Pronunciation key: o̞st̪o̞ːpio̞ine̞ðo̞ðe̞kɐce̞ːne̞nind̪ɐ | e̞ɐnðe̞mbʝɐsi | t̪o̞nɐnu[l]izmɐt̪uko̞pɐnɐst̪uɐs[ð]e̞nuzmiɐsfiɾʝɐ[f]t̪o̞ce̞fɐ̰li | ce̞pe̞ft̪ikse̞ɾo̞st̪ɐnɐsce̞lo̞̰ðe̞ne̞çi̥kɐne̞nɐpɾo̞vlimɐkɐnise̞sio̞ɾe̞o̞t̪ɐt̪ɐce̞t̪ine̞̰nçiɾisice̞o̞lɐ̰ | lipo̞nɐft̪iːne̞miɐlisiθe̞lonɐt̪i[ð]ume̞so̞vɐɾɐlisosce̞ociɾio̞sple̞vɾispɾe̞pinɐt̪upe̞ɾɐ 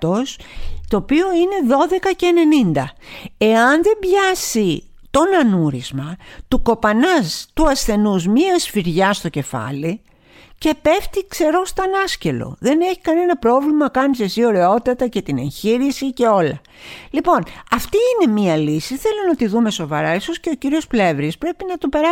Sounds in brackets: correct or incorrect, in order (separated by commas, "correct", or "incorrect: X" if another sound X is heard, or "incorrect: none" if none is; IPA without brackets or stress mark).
incorrect: ɾ, incorrect: θ, incorrect: s, correct